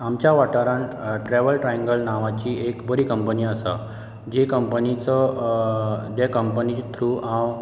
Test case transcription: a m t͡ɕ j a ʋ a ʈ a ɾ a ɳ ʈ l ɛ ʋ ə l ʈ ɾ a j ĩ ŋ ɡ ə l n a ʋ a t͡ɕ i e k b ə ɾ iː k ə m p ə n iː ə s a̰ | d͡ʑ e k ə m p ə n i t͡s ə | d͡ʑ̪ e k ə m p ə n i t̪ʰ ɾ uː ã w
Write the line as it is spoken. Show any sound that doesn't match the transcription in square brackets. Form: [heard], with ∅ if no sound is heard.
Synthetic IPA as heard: a m t͡ɕ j a ʋ a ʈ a ɾ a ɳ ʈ [ɾ] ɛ ʋ ə l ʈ ɾ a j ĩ ŋ ɡ ə l n a ʋ a t͡ɕ i e k b ə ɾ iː k ə m p ə n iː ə s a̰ | d͡ʑ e k ə m p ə n i t͡s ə | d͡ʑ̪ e k ə m p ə n i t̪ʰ ɾ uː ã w